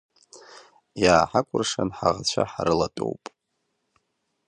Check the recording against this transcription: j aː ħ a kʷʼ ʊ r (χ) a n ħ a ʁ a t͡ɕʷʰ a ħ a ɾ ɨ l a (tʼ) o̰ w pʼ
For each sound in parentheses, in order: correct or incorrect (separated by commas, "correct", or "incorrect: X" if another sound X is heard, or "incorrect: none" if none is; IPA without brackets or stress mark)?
incorrect: ʂ, correct